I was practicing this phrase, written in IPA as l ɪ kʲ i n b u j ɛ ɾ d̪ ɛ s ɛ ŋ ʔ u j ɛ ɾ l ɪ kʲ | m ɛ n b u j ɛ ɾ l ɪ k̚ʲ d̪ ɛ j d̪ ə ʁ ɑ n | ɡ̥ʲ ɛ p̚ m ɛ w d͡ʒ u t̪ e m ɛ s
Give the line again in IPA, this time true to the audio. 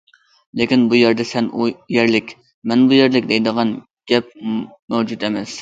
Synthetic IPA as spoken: l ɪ kʲ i n b u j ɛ ɾ d̪ ɛ s ɛ n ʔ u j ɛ ɾ l ɪ kʲ | m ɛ n b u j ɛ ɾ l ɪ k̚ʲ d̪ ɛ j d̪ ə ʁ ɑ n | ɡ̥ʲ ɛ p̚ m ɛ w d͡ʒ u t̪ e m ɛ s